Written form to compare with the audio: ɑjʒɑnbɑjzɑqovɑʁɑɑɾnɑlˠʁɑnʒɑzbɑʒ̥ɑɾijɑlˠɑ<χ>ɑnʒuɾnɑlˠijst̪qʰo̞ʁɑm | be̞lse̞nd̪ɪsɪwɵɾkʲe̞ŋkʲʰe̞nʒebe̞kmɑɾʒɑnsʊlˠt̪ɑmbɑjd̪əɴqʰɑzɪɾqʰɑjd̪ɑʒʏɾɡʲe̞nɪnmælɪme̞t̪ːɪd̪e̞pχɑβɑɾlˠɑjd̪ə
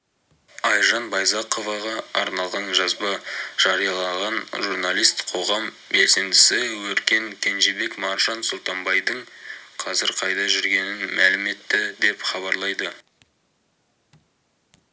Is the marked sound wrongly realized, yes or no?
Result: yes